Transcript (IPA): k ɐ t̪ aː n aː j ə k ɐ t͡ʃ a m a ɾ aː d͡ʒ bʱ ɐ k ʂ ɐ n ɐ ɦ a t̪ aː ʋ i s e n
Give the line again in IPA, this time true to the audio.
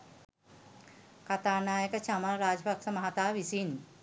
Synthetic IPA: k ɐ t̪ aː n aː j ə k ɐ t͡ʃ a m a ɾ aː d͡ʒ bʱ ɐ k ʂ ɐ m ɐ ɦ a t̪ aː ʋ i s i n